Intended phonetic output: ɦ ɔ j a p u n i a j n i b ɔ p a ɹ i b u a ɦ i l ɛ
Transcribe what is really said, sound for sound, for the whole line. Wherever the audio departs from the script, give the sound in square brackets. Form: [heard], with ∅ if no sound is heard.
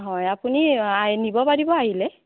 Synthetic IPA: ɦ ɔ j a p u n i a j n i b ɔ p a ɹ i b [ɔ] a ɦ i l ɛ